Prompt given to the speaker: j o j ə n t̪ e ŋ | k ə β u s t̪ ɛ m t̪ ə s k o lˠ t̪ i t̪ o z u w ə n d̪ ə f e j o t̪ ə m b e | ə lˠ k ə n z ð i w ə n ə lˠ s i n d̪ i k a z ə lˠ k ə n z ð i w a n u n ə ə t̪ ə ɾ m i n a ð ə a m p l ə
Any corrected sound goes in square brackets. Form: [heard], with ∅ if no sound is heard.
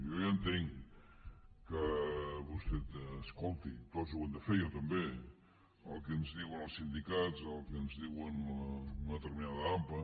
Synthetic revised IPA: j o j ə n t̪ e ŋ | k ə β u s t̪ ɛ [∅] t̪ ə s k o lˠ t̪ i t̪ o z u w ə n d̪ ə f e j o t̪ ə m b e | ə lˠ k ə n z ð i w ə n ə lˠ s i n d̪ i k a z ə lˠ k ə n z ð i w [ə] n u n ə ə t̪ ə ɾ m i n a ð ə a m p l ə